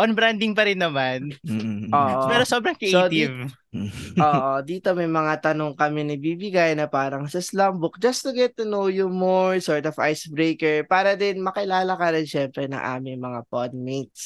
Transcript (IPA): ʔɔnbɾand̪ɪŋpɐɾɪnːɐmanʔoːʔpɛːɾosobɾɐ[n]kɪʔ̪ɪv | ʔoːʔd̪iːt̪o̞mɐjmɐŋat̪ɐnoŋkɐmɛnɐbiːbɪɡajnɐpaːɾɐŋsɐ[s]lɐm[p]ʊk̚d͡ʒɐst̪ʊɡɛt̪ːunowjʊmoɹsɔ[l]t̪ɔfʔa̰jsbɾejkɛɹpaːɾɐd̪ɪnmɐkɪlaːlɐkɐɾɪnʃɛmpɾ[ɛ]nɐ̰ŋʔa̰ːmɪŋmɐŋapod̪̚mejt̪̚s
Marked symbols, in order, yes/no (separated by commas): no, yes, no, no, yes